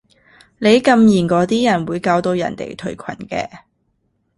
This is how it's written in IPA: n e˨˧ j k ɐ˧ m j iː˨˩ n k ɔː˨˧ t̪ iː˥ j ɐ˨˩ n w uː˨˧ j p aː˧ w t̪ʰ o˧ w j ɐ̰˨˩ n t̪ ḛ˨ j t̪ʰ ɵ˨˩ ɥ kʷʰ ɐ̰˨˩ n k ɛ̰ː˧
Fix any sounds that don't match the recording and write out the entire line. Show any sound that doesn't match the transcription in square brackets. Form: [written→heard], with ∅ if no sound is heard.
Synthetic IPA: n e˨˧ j k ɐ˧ m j iː˨˩ n k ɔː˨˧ t̪ iː˥ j ɐ˨˩ n w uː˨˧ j [p→k] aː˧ w [t̪ʰ→t̪] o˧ w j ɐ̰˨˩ n t̪ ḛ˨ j t̪ʰ ɵ˨˩ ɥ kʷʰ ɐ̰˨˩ n k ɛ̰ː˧